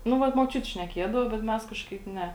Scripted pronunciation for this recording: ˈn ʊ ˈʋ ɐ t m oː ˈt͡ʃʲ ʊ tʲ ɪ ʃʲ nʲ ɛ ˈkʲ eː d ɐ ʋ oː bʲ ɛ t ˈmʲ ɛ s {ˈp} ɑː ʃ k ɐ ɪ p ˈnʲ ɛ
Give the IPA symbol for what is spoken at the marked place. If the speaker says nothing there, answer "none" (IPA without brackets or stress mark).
k